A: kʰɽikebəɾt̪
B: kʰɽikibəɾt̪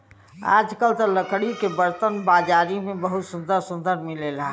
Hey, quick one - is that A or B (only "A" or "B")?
A